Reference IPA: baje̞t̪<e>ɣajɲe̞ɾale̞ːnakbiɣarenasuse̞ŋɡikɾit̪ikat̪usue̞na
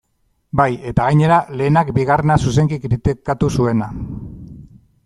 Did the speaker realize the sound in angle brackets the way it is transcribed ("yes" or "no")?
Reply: no